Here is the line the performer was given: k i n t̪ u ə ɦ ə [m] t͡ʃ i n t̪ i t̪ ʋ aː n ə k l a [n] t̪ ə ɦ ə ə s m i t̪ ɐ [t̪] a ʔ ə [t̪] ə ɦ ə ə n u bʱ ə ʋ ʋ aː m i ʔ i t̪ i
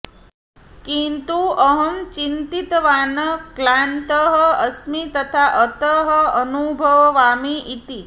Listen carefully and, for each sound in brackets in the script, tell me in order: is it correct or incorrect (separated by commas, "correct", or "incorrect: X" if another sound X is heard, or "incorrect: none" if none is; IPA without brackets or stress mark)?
correct, correct, incorrect: t̪ʰ, correct